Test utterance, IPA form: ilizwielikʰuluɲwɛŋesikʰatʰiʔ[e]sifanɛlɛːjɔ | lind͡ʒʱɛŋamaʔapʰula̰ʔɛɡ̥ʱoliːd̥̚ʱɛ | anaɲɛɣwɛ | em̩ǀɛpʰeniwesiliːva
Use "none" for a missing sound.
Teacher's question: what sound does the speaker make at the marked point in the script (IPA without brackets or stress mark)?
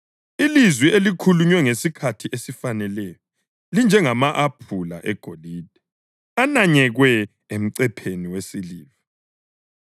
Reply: e